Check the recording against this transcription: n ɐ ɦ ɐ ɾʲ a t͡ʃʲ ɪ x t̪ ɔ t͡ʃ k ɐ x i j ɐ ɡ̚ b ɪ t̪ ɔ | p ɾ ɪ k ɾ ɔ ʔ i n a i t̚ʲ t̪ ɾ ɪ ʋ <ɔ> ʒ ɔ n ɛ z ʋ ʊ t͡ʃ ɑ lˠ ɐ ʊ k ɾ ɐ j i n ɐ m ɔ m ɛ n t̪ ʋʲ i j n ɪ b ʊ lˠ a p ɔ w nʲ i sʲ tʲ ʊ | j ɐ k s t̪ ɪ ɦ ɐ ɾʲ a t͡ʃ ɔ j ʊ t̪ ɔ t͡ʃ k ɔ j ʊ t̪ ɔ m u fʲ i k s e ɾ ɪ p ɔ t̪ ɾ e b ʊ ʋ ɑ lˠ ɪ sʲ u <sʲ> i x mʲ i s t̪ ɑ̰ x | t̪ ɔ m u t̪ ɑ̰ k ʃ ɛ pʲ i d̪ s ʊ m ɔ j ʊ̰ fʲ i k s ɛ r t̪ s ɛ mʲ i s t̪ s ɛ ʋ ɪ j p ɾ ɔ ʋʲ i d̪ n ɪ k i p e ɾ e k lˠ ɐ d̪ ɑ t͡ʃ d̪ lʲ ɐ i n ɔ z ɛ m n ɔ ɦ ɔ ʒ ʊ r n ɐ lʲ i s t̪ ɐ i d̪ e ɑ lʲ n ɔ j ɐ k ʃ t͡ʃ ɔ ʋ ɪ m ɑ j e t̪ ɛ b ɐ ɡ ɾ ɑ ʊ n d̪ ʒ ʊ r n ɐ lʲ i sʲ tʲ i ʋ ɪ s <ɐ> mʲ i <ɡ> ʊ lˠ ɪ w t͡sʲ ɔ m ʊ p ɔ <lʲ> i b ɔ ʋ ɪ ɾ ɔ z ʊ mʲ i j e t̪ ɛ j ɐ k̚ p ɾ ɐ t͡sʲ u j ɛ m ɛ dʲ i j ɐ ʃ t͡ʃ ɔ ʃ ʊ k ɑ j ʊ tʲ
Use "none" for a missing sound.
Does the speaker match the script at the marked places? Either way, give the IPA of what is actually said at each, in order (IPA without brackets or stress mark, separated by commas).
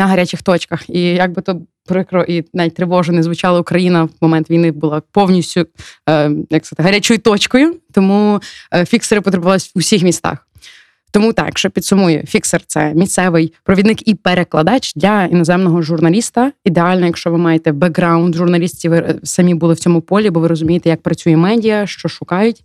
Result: ɔ, sʲ, ɐ, b, lʲ